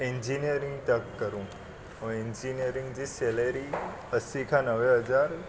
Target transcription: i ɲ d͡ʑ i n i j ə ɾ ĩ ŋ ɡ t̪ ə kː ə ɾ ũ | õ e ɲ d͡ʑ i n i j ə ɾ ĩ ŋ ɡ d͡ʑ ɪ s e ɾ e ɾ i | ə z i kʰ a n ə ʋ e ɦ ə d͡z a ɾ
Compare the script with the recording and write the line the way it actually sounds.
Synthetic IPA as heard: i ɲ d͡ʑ i n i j ə ɾ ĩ ŋ ɡ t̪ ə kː ə ɾ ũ | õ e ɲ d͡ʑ i n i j ə ɾ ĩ ŋ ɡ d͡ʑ i s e l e ɾ i | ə s i kʰ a n ə ʋ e ɦ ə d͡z a ɾ